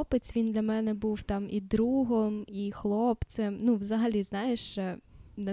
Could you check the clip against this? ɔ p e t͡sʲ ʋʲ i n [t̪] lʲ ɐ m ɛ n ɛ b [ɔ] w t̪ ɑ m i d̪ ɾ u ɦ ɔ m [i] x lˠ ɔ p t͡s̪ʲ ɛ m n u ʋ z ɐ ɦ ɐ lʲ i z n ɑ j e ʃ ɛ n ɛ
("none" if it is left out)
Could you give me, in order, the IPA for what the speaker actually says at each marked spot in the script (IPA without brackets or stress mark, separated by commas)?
d̪, u, i